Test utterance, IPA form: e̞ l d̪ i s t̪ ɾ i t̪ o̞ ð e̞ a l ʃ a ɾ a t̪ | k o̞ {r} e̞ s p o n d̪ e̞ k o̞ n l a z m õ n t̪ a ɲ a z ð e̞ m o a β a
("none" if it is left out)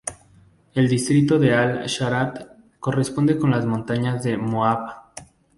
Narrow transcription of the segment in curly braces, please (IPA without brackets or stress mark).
r